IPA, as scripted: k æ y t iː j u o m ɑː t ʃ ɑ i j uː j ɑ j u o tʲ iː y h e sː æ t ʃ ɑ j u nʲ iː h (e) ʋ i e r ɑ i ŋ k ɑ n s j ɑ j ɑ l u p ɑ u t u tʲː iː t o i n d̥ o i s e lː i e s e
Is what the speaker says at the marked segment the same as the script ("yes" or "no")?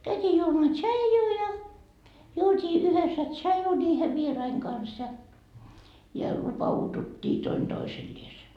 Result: yes